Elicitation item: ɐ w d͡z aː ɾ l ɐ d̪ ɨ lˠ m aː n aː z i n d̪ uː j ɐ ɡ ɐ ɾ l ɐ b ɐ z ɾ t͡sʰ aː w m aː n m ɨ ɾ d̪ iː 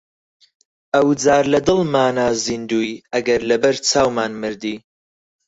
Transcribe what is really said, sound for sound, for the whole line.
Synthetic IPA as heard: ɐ w d͡z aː ɾ l ɐ d̪ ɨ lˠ m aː n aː z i n d̪ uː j ɐ ɡ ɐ ɾ l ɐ b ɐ ɾ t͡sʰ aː w m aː n m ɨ ɾ d̪ iː